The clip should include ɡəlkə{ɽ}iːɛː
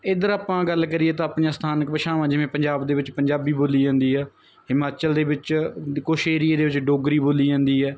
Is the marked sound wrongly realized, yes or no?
yes